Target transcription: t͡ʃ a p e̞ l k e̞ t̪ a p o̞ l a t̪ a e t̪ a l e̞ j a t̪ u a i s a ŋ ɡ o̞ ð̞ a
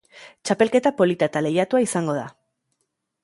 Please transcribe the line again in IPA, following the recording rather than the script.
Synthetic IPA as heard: t͡ʃ a p e̞ l k e̞ t̪ a p o̞ l i t̪ a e t̪ a l e̞ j a t̪ u a i s a ŋ ɡ o̞ ð̞ a